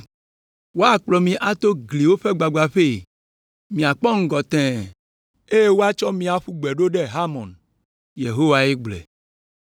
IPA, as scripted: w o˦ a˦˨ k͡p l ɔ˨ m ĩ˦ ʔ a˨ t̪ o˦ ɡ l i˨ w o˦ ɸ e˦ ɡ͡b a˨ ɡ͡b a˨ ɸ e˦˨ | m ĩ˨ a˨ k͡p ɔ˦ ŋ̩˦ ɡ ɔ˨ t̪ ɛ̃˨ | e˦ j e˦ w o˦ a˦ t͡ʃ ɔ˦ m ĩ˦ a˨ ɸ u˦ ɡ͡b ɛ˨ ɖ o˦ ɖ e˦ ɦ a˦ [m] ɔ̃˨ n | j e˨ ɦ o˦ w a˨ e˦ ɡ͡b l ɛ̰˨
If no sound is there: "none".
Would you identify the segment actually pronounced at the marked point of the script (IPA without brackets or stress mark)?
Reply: m